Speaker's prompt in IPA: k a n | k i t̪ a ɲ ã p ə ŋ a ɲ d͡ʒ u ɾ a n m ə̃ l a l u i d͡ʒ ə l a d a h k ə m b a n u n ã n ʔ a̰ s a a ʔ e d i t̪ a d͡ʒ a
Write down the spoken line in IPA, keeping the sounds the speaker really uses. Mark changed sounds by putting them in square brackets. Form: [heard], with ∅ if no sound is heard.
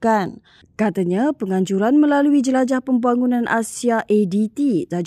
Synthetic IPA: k a n | k [a] t̪ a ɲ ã p ə ŋ a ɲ d͡ʒ u ɾ a n m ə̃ l a l u i d͡ʒ ə l a [d͡ʒ] a h [p] ə m b a [ŋ] u n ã n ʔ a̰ s [i] a ʔ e d i t̪ [i] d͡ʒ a